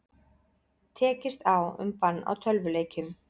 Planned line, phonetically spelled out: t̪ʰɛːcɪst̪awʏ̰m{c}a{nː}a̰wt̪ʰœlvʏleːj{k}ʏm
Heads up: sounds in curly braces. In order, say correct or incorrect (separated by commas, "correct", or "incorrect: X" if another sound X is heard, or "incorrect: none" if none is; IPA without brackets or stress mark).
incorrect: p, correct, incorrect: c